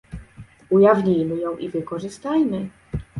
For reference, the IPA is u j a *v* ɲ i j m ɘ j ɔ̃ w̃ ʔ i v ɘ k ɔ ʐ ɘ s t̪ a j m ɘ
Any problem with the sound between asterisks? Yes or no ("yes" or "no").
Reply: no